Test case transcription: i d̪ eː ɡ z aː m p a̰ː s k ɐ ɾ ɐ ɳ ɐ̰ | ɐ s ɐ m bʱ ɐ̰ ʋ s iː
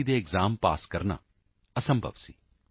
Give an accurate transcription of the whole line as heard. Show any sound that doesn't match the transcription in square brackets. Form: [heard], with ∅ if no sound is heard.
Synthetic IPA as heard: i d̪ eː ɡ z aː m p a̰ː s k ɐ ɾ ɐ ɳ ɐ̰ | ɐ s ɐ m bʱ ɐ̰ ʋ s [i]